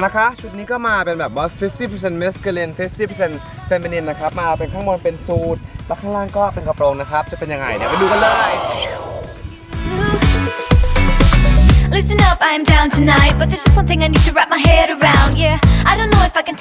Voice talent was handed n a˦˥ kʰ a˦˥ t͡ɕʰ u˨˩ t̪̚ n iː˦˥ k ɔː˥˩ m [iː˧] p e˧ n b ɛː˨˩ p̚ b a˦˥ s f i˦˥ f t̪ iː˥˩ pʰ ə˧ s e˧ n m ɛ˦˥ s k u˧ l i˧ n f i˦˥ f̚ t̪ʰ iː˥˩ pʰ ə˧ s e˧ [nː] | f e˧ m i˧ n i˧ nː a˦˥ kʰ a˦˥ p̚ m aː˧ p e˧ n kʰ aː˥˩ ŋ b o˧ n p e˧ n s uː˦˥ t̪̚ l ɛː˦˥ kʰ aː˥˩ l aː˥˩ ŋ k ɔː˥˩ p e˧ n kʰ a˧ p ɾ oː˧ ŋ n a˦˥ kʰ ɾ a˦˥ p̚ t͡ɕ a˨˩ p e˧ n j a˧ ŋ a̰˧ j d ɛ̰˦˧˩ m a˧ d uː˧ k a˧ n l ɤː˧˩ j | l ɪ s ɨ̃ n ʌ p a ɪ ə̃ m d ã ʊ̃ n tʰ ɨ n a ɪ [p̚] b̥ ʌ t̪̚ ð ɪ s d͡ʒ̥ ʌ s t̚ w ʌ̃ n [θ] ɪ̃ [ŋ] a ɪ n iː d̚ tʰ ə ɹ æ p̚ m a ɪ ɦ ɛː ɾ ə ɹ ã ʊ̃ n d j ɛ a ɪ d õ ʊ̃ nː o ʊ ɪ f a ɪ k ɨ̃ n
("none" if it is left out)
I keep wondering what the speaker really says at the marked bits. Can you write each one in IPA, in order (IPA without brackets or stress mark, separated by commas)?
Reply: aː˧, n, t̚, θ, ŋ